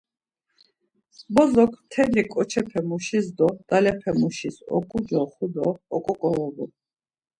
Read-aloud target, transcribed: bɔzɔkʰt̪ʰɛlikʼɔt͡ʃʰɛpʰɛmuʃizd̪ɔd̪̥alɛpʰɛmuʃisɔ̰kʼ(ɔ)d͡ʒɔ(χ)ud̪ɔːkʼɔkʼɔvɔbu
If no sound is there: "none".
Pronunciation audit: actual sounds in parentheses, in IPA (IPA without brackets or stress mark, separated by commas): u, χ